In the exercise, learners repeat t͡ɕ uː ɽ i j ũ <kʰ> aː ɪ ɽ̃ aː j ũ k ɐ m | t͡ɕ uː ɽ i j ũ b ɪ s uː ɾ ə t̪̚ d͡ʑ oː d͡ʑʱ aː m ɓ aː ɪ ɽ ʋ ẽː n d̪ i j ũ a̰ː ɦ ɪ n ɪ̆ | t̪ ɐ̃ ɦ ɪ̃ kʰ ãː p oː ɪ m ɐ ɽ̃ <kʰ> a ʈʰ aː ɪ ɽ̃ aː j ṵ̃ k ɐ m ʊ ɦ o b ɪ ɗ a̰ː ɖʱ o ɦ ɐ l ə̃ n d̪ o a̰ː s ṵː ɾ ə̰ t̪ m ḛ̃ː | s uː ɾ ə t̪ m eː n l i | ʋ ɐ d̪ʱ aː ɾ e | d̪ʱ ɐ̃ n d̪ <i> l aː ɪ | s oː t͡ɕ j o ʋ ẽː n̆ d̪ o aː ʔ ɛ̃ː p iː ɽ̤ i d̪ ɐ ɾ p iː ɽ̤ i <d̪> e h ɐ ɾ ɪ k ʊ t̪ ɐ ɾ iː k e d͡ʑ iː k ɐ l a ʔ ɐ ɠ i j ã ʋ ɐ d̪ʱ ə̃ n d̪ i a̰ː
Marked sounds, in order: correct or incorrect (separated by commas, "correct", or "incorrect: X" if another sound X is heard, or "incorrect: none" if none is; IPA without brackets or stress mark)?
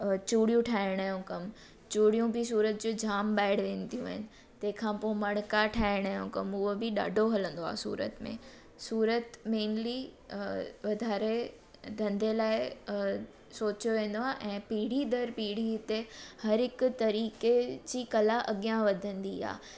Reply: incorrect: ʈʰ, incorrect: k, incorrect: e, incorrect: t̪